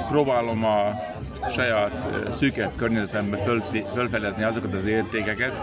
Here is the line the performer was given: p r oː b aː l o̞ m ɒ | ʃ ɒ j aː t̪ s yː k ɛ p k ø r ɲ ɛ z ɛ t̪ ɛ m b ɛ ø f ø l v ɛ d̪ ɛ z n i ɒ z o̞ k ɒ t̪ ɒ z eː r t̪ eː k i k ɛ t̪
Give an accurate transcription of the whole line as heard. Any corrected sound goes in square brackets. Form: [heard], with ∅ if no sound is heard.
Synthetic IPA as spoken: p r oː b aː l o̞ m ɒ | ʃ ɒ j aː t̪ s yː k ɛ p k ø r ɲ ɛ z ɛ t̪ ɛ m b ɛ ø f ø l [f] ɛ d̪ ɛ z n i ɒ z o̞ k ɒ t̪ ɒ z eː r t̪ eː k [ɛ] k ɛ t̪